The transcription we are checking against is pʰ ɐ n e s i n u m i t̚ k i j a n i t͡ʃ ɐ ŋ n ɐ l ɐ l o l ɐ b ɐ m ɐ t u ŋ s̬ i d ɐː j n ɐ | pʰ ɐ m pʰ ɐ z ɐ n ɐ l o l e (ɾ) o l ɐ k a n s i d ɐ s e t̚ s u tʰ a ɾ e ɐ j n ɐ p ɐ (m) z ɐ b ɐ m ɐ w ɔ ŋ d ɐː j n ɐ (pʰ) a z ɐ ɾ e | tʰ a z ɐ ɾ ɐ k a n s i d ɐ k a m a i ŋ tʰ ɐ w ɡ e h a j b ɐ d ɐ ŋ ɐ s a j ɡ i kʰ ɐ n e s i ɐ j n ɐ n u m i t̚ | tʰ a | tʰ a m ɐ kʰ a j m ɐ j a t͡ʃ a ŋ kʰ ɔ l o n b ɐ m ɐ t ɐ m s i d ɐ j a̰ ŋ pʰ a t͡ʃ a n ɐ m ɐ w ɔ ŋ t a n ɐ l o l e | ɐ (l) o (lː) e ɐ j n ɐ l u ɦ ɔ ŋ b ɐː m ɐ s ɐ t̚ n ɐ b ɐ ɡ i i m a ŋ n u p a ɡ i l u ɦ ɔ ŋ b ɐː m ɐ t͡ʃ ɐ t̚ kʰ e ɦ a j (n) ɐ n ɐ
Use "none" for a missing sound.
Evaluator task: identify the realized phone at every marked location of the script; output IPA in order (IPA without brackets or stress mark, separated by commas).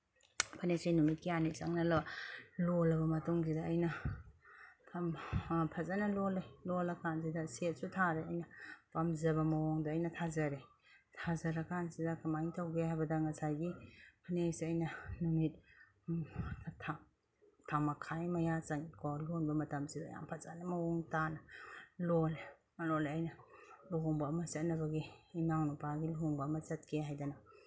l, m, tʰ, l, l, d